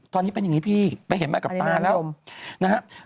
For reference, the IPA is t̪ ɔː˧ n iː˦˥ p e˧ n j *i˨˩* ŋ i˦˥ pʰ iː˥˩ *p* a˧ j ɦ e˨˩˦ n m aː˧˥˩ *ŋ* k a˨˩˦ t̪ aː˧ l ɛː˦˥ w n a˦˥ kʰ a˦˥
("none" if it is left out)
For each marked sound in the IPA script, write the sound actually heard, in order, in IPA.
a˨˩, p, none

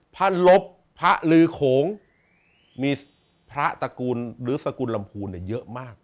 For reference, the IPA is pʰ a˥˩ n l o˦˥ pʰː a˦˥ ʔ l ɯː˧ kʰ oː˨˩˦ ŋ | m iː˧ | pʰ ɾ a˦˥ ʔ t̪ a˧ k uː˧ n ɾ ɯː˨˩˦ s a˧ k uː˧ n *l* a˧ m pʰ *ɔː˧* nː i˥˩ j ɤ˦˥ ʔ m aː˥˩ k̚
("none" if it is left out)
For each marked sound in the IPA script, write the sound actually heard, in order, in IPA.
l, uː˧

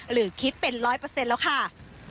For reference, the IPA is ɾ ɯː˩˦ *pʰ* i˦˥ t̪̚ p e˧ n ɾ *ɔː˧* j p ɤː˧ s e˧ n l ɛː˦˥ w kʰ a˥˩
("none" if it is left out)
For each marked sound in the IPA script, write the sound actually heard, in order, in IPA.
kʰ, ɔː˦˥

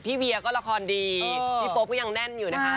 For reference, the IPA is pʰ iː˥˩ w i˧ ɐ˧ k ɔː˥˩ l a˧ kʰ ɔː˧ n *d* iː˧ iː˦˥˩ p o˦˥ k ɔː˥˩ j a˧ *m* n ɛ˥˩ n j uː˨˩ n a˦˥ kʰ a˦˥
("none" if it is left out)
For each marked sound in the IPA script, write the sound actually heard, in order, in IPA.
d, ŋ

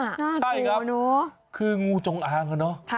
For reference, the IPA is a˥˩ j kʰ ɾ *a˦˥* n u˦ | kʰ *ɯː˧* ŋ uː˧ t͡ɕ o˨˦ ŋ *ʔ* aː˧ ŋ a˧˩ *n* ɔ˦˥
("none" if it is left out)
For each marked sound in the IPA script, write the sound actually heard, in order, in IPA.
a˦˥, ɯː˧, ʔ, n

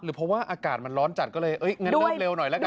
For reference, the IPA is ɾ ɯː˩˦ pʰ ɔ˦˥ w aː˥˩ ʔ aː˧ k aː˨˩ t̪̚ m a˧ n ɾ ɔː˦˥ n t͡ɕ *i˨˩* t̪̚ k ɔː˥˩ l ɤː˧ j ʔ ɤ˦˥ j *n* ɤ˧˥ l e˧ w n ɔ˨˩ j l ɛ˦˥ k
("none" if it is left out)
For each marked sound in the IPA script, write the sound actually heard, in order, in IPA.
a˨˩, ŋ

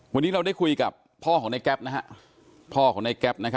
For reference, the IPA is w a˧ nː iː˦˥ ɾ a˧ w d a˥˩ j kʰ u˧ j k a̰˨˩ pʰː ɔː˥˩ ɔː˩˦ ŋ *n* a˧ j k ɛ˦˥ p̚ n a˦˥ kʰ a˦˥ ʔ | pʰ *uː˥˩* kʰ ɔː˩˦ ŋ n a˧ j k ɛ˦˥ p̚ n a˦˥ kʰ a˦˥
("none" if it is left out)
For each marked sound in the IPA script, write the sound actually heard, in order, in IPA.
n, ɔː˥˩

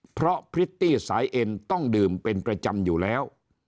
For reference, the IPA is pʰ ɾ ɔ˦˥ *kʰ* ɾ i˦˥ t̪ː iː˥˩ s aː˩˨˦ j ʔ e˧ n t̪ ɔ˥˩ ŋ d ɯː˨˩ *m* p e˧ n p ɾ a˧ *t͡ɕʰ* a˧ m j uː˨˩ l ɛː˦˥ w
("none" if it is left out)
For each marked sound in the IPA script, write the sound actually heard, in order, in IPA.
pʰ, m, t͡ɕ

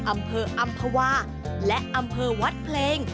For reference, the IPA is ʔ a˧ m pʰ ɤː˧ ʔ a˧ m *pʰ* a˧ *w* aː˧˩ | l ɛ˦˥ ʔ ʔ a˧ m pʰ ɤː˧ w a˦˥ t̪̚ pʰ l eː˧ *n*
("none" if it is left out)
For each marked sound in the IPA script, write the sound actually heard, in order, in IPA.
pʰ, w, ŋ

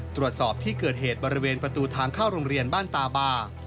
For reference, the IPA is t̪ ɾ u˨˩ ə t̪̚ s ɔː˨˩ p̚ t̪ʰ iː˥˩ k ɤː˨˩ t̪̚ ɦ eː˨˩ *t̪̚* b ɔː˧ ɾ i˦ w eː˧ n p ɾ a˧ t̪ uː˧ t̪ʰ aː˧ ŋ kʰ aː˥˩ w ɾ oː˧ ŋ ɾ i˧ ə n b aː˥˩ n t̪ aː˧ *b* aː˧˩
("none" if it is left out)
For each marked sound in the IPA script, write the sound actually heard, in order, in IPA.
t̪̚, b

